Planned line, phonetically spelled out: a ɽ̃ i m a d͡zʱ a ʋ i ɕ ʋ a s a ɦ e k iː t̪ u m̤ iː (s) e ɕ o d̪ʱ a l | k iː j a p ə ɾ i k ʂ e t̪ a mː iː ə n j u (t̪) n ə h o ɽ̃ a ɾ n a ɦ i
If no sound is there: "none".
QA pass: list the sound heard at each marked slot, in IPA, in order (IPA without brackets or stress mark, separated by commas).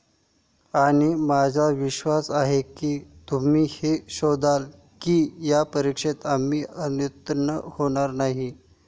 h, t̪